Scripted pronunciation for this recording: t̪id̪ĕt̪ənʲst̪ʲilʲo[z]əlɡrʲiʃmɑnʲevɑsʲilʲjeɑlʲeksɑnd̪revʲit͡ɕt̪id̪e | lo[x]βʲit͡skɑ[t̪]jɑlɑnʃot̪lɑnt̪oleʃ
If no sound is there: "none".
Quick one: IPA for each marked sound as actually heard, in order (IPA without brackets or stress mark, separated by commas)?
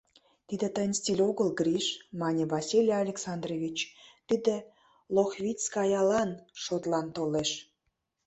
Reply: ɣ, x, none